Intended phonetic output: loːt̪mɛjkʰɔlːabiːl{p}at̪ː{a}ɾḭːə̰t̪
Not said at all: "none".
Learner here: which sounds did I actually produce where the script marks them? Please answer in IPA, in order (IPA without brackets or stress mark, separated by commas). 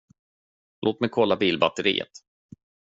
b, ə